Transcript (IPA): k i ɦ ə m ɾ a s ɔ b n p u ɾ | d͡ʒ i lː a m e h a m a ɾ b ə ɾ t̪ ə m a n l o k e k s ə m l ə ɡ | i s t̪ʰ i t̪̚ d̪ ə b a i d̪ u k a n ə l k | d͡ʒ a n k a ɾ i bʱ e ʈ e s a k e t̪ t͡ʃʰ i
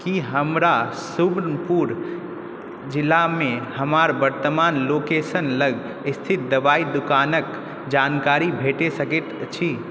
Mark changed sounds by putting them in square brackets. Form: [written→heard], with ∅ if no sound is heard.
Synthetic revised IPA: k i ɦ ə m ɾ a s [ɔ→u] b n p u ɾ | d͡ʒ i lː a m e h [a→ə] m a ɾ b ə ɾ t̪ ə m a n l o k e [k→∅] s ə [m→n] l ə ɡ | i s t̪ʰ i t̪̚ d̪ ə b a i d̪ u k a n ə [l→∅] k | d͡ʒ a n k a ɾ i bʱ e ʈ e s [a→ə] k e t̪ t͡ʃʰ i